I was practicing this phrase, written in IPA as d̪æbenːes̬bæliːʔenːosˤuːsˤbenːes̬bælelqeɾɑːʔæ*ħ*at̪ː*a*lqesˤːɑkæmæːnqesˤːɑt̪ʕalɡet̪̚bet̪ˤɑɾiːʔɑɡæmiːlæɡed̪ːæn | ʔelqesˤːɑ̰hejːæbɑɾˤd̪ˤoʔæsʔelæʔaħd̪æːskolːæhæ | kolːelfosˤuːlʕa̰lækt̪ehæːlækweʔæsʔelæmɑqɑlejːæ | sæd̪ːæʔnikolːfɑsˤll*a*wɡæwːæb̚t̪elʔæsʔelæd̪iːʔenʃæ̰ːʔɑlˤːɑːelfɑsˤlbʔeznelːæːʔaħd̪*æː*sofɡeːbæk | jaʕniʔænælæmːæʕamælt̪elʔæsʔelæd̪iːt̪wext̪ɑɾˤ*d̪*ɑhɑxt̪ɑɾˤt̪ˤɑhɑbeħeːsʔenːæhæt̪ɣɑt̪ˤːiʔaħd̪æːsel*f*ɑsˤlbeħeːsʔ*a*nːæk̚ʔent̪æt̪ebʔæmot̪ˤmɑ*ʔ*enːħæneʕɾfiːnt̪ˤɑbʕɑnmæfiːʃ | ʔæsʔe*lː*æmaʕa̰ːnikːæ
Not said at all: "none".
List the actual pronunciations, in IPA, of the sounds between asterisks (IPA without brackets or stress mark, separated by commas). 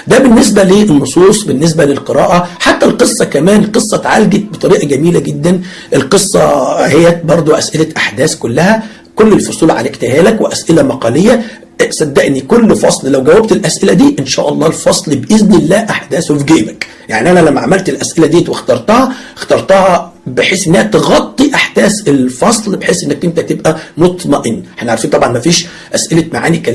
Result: ħ, æ, æ, æː, t̪, f, e, ʔ, l